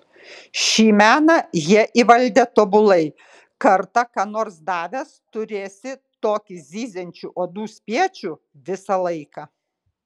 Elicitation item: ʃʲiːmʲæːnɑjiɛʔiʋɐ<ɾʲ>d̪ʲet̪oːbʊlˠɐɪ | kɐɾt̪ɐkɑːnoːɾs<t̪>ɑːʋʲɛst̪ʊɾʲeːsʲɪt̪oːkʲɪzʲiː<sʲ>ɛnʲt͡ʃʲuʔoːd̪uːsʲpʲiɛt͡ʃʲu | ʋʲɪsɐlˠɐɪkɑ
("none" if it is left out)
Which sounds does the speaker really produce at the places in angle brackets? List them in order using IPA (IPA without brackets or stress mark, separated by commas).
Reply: lʲ, d̪, zʲ